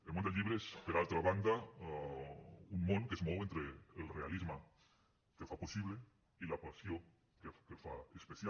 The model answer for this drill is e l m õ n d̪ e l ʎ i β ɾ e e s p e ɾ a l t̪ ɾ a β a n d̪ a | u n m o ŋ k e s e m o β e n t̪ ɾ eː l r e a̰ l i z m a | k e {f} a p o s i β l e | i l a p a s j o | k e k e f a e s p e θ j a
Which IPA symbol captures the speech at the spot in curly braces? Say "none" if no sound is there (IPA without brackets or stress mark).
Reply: f